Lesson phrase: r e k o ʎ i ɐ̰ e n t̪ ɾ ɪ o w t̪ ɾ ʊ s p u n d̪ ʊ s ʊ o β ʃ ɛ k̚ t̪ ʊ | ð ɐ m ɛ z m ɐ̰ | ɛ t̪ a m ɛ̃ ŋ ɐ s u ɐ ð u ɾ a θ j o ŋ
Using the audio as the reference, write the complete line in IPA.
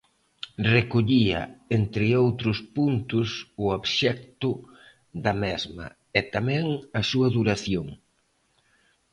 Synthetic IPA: r e k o ʎ i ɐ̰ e n t̪ ɾ ɪ o w t̪ ɾ ʊ s p u n t̪ ʊ s ʊ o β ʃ ɛ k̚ t̪ ʊ | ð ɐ m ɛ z m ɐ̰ | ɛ t̪ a m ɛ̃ ŋ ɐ s u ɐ ð u ɾ a θ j o ŋ